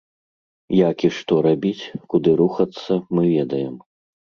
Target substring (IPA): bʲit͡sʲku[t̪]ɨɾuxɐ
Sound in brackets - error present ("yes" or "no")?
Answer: yes